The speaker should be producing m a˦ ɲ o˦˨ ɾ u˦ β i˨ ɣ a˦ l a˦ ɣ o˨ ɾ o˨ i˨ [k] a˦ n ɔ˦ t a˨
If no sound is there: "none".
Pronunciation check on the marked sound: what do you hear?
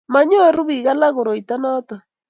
t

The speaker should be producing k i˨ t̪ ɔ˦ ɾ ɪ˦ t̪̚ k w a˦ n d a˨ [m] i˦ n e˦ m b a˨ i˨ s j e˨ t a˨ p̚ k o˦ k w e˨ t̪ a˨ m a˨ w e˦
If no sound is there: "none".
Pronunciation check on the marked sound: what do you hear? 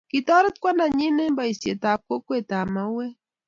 ɲ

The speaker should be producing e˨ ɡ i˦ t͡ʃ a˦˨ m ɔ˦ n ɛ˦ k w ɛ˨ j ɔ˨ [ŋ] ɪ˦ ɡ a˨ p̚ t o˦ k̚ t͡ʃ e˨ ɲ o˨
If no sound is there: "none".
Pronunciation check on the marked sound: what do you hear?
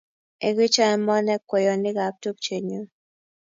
n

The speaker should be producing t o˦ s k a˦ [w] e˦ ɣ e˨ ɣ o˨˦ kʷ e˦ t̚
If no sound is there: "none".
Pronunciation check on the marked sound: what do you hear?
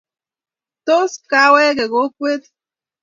w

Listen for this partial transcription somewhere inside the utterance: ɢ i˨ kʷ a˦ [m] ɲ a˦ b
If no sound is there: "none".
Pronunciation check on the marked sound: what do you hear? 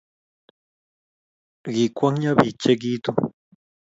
ŋ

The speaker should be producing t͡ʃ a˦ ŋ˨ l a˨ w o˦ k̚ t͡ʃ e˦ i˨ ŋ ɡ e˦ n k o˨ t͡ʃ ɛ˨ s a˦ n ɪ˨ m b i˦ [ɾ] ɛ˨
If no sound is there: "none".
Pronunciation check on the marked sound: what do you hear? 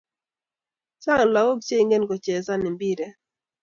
ɾ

